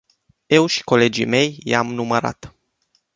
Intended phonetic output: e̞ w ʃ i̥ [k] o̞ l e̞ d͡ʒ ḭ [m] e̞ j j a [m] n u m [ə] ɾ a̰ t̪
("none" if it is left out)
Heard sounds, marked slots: k, m, m, ə

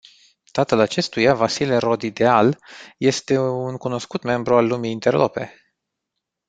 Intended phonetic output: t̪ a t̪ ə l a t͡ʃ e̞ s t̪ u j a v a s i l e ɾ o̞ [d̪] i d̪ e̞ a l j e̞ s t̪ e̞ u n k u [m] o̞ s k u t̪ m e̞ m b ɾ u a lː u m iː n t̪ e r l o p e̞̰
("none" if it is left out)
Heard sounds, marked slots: d̪, n

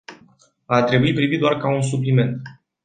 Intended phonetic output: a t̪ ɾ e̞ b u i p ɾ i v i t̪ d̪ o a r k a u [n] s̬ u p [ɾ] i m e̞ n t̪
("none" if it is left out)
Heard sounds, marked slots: n, l

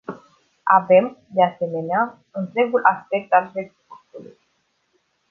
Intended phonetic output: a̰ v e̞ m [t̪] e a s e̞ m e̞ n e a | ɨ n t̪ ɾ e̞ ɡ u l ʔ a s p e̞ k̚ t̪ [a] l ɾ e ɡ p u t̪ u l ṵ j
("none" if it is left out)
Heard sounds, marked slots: d̪, a

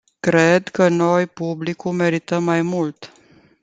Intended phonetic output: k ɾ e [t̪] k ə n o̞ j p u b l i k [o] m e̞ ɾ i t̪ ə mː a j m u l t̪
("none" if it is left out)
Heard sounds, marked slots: d̪, u

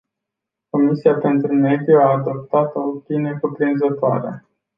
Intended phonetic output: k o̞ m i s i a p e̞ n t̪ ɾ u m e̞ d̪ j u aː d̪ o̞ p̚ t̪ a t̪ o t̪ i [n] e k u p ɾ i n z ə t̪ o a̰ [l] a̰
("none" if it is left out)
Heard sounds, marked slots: n, ɾ

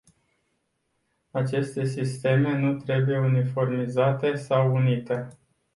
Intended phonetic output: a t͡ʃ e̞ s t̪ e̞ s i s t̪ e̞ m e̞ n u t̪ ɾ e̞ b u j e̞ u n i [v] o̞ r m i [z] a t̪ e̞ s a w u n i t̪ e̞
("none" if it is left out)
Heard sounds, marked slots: f, z

